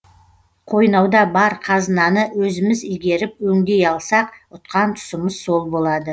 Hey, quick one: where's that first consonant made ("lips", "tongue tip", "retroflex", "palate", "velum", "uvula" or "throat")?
uvula